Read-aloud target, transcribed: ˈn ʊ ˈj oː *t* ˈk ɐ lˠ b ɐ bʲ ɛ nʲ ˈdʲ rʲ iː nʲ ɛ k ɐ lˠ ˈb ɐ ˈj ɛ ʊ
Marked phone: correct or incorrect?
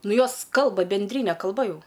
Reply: incorrect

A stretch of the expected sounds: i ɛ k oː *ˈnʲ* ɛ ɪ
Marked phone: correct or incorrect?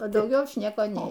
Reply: correct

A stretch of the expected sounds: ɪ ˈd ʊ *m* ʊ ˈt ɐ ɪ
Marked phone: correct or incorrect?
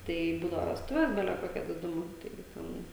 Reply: correct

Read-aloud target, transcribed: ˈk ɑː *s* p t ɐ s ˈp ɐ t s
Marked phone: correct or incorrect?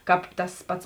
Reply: incorrect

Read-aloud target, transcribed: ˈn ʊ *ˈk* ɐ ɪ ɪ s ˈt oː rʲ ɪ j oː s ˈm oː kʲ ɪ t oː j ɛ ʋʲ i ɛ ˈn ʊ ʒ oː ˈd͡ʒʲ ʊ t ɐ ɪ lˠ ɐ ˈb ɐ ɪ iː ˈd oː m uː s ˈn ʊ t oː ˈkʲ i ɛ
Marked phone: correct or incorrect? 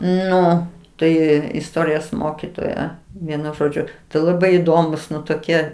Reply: incorrect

